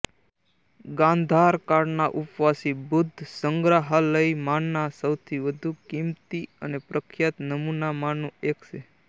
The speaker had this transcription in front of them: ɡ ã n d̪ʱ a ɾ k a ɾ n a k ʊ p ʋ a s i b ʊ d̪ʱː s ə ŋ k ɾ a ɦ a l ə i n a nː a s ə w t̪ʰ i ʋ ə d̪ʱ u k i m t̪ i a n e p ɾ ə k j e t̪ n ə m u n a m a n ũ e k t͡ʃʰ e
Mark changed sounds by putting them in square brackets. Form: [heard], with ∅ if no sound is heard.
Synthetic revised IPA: ɡ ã n d̪ʱ a ɾ k a ɾ n a [ʔ] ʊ p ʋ a s i b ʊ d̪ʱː s ə ŋ [ɡ] ɾ a ɦ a l ə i [m] a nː a s ə w t̪ʰ i ʋ ə d̪ʱ u k i m t̪ i [ə] n e p ɾ ə [kʰ] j [a] t̪ n ə m u n a m a n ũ e k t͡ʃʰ e

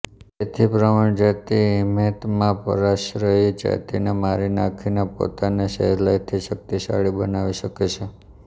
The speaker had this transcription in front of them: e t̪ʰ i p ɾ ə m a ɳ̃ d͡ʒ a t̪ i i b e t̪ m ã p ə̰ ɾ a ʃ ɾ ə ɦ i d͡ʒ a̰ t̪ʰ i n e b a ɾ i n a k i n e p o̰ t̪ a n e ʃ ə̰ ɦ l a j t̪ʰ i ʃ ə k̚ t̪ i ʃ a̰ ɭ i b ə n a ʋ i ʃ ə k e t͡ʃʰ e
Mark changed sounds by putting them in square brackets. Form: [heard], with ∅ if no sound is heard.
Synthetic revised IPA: e t̪ʰ i p ɾ ə m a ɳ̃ d͡ʒ a t̪ i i [m] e t̪ m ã p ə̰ ɾ a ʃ ɾ ə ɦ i d͡ʒ a̰ [t̪] i n e [m] a ɾ i n a [kʰ] i n e p o̰ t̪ a n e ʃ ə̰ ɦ l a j t̪ʰ i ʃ ə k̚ t̪ i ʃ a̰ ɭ i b ə n a ʋ i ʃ ə k e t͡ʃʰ e

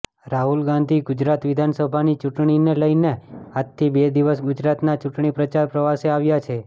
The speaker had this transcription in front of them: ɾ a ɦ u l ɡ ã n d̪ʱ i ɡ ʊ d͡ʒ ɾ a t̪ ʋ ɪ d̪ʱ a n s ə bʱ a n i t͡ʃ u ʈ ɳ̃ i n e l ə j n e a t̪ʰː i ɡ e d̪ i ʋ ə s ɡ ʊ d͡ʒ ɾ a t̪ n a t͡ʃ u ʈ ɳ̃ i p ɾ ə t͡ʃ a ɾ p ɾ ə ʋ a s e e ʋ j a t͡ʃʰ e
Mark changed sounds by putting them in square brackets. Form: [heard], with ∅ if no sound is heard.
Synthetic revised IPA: ɾ a ɦ u l ɡ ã n d̪ʱ i ɡ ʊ d͡ʒ ɾ a t̪ ʋ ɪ d̪ʱ a n s ə bʱ a n i t͡ʃ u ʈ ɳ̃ i n e l ə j n e a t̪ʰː i [b] e d̪ i ʋ ə s ɡ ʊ d͡ʒ ɾ a t̪ n a t͡ʃ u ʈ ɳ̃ i p ɾ ə t͡ʃ a ɾ p ɾ ə ʋ a s e [a] ʋ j a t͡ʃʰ e

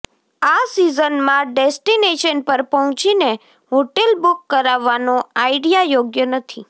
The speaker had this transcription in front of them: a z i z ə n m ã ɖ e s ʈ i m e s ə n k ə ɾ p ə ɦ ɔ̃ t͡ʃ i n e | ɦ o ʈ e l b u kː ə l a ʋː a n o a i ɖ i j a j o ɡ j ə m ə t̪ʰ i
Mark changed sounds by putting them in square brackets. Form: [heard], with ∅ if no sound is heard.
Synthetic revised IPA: a [s] i z ə n m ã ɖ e s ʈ i [n] e [ʃ] ə n [p] ə ɾ p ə ɦ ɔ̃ t͡ʃ i n e | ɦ o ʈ e l b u kː ə [ɾ] a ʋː a n o a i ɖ i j a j o ɡ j ə [n] ə t̪ʰ i

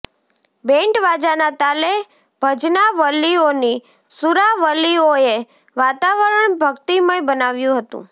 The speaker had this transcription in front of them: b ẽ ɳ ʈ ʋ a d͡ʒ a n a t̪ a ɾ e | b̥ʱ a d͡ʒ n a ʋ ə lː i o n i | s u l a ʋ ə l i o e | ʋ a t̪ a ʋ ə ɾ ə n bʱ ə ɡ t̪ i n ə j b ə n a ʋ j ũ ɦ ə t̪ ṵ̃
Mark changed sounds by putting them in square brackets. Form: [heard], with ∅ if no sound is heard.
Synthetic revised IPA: b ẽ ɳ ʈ ʋ a d͡ʒ a n a t̪ a [l] e | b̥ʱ [ə] d͡ʒ n a ʋ ə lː i o n i | s u [ɾ] a ʋ ə l i o e | ʋ a t̪ a ʋ ə ɾ ə [ɳ] bʱ ə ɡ t̪ i [m] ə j b ə n a ʋ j ũ ɦ ə t̪ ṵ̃

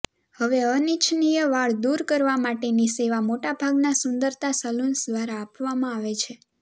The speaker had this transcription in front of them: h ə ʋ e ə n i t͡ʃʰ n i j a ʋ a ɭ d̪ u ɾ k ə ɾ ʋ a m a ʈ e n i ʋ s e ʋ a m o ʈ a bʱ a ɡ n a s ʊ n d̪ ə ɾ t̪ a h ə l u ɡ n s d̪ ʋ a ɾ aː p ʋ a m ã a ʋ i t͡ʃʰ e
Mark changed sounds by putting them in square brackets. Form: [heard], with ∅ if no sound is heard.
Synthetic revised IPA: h ə ʋ e ə n i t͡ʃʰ n i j [ə] ʋ a ɭ d̪ u ɾ k ə ɾ ʋ a m a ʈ e n i [∅] s e ʋ a m o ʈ a bʱ a ɡ n a s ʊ n d̪ ə ɾ t̪ a [s] ə l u [∅] n s d̪ ʋ a ɾ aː p ʋ a m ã a ʋ [e] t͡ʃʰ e

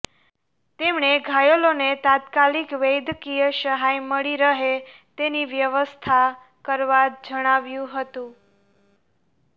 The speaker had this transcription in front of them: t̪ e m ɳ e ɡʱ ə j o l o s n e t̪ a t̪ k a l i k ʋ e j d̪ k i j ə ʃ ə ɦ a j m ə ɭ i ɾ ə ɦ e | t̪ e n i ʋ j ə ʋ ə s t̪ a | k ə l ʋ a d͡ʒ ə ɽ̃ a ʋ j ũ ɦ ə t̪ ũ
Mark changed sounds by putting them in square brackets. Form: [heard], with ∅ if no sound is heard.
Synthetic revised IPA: t̪ e m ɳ e ɡʱ [a] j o l o [∅] n e t̪ a t̪ k a l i k ʋ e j d̪ k i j ə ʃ ə ɦ a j m ə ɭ i ɾ ə ɦ e | t̪ e n i ʋ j ə ʋ ə s [t̪ʰ] a | k ə [ɾ] ʋ a d͡ʒ ə ɽ̃ a ʋ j ũ ɦ ə t̪ ũ

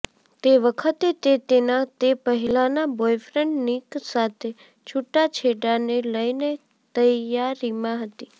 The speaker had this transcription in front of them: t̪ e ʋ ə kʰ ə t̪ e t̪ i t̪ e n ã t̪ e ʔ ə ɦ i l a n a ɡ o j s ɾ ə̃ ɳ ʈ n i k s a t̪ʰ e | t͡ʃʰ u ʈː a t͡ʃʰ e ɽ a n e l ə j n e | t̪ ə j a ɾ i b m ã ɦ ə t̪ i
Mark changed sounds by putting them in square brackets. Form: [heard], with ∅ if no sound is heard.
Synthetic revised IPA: t̪ e ʋ ə kʰ ə t̪ e t̪ [e] t̪ e n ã t̪ e [p] ə ɦ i l a n a [b] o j [f] ɾ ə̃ ɳ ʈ n i k s a t̪ʰ e | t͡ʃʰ u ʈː a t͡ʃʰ e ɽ a n e l ə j n e | t̪ ə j a ɾ i [∅] m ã ɦ ə t̪ i

